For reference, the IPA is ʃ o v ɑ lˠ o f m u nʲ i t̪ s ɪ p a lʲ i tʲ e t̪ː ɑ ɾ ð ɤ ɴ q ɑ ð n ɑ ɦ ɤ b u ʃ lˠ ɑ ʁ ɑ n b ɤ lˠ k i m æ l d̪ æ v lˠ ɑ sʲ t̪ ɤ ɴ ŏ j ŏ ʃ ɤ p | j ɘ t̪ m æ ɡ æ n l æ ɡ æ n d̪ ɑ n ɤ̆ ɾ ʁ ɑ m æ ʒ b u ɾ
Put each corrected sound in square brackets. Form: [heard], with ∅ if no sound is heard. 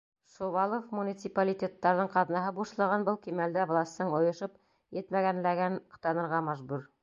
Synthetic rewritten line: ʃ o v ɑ lˠ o f m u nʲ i t̪ s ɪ p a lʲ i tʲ e t̪ː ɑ ɾ ð ɤ ɴ q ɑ ð n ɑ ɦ ɤ b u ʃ lˠ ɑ ʁ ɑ n b ɤ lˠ k i m æ l d̪ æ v lˠ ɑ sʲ t̪ ɤ ɴ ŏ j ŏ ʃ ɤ p | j ɘ t̪ m æ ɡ æ n l æ ɡ æ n [t̪] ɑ n ɤ̆ ɾ ʁ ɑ m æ ʒ b u ɾ